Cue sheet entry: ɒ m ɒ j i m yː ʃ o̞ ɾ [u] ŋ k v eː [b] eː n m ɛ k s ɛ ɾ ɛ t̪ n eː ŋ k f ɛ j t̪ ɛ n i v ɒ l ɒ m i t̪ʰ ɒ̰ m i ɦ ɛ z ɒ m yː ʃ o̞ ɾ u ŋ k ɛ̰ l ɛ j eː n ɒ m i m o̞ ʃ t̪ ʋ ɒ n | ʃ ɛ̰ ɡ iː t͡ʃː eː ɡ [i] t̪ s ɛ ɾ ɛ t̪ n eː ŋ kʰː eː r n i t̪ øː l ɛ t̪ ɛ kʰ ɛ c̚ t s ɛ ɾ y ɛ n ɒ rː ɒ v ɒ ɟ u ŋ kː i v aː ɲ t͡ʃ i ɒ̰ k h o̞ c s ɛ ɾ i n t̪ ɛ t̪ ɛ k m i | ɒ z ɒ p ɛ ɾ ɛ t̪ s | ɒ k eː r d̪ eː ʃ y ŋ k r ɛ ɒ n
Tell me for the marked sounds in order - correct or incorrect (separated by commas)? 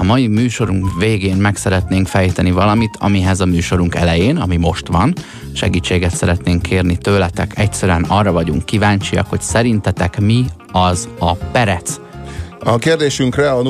correct, incorrect, incorrect